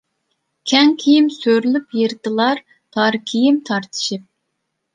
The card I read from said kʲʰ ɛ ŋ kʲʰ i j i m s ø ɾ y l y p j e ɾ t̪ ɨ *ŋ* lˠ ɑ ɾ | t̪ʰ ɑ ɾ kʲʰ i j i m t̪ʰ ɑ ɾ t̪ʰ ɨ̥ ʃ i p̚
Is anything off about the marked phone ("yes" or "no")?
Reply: yes